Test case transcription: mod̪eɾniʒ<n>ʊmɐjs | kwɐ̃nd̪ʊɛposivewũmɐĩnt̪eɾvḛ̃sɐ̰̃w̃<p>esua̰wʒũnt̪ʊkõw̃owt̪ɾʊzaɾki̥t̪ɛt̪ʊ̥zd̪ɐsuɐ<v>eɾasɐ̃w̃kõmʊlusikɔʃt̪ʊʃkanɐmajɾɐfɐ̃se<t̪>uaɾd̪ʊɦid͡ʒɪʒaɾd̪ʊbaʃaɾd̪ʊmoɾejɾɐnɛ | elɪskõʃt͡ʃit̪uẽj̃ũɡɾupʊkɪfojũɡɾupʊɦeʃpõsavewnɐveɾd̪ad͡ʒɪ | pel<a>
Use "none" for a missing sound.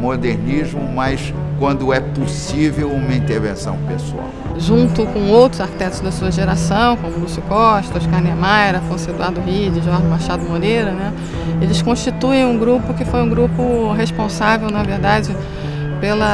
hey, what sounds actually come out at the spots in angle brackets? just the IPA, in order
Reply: m, p, ʒ, d̪, ɐ

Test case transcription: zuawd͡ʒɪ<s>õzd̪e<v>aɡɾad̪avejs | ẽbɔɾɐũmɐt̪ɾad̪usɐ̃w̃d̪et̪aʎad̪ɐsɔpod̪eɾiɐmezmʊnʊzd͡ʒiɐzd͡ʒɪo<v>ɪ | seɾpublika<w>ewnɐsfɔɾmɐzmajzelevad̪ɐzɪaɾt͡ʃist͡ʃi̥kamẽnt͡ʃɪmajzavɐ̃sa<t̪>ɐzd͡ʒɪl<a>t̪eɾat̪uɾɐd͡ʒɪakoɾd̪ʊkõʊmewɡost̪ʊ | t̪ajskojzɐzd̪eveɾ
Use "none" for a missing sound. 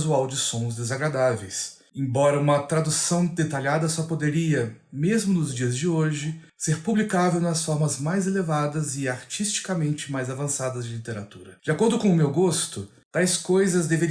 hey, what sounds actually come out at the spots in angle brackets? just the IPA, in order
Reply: s, z, ʒ, v, d̪, i

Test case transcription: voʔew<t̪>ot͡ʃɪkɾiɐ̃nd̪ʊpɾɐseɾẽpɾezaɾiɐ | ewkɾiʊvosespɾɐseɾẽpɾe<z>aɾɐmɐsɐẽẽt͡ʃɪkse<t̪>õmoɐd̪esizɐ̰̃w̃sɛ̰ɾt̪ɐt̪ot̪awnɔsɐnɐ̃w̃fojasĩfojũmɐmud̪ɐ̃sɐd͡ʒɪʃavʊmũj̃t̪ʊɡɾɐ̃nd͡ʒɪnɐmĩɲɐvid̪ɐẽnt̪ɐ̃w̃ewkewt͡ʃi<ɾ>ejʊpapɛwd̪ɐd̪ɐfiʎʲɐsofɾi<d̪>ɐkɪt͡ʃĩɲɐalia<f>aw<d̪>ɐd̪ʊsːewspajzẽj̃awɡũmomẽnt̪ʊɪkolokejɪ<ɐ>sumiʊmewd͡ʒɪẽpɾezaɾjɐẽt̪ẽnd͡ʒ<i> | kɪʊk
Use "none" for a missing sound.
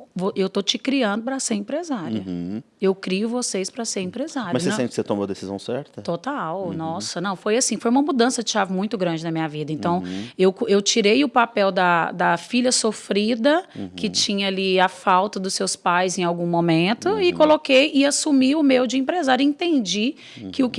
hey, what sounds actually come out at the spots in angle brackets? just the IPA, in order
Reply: t̪, z, t̪, ɾ, d̪, f, t̪, a, i

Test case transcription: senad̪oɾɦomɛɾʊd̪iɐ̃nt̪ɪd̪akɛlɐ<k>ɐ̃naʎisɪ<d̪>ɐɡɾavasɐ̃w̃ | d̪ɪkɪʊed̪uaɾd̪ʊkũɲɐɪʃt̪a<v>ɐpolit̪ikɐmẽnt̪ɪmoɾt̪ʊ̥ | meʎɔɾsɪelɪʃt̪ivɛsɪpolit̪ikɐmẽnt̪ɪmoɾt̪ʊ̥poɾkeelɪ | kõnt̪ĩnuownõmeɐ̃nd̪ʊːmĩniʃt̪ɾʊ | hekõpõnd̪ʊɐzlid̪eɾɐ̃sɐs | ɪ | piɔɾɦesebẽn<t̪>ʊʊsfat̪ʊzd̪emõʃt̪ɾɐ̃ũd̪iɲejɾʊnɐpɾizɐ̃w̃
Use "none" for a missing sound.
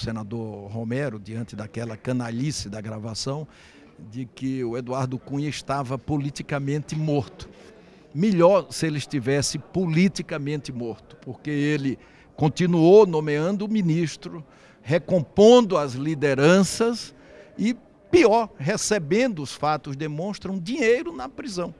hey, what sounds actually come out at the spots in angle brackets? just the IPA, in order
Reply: k, d̪, v, d̪

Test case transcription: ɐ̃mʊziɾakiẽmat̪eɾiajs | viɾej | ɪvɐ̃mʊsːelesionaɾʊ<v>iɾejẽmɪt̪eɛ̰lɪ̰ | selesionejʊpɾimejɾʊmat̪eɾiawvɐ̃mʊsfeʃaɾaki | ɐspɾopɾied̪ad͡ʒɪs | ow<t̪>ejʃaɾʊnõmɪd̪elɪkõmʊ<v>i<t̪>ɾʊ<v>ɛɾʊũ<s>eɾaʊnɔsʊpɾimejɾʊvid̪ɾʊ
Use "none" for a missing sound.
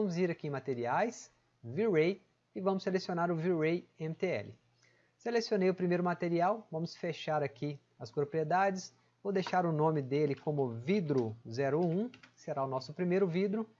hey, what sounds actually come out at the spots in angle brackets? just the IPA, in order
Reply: v, d̪, v, d̪, z, s

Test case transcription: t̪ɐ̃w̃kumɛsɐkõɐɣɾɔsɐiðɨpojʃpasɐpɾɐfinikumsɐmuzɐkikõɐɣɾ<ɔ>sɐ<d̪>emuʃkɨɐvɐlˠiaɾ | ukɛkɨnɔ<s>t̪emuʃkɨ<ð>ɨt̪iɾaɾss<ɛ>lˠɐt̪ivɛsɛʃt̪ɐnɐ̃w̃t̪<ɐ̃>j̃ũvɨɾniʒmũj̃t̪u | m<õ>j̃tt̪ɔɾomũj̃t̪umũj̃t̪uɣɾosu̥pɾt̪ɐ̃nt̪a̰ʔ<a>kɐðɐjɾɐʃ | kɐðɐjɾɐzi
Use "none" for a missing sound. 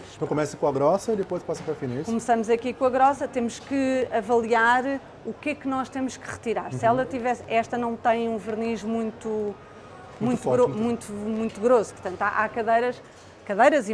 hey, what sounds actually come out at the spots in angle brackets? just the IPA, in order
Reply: ɔ, t̪, ʃ, ʁ, ɛ, ɐ̃, ũ, a

